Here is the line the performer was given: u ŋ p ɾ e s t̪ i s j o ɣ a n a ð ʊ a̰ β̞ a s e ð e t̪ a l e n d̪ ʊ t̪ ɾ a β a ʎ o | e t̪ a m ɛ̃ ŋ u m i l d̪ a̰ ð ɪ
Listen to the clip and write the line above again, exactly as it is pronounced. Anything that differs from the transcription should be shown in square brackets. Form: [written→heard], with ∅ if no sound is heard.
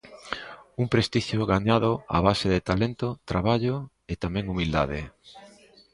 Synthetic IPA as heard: u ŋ p ɾ e s t̪ i [s→ʃ] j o ɣ a [n→ɲ] a ð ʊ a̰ β̞ a s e ð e t̪ a l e n [d̪→t̪] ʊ t̪ ɾ a β a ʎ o | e t̪ a m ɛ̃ ŋ u m i l d̪ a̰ ð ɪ